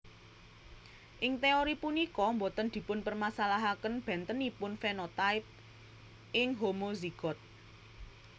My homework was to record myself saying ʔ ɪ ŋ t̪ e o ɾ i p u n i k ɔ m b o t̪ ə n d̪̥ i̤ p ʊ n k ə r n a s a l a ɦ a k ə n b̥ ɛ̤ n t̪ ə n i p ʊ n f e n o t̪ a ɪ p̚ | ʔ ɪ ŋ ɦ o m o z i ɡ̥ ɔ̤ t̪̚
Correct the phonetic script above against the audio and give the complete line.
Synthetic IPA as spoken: ʔ ɪ ŋ t̪ e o ɾ i p u n i k ɔ m b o t̪ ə n d̪̥ i̤ p ʊ n p ə r m a s a l a ɦ a k ə n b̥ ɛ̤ n t̪ ə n i p ʊ n f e n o t̪ a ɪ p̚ | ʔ ɪ ŋ ɦ o m o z i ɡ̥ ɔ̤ t̪̚